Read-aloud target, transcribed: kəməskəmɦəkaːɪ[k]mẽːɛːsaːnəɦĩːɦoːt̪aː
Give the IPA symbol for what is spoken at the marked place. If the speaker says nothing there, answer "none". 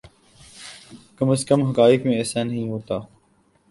k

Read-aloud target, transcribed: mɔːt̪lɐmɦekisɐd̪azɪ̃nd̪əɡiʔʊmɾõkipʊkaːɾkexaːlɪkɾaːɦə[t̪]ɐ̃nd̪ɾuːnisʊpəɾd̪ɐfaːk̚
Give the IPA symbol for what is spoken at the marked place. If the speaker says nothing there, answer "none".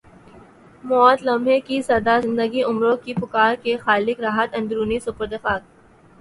t̪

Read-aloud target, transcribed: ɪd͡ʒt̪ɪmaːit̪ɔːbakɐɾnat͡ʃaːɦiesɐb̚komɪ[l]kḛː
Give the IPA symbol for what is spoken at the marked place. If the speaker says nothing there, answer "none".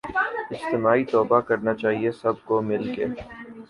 l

